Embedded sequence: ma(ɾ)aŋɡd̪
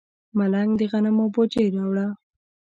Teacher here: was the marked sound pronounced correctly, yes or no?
no